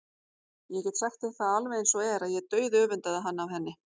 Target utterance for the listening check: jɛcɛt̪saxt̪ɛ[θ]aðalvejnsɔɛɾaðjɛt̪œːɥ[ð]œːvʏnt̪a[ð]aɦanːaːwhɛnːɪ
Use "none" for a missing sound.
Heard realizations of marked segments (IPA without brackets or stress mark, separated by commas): θ, ð, ð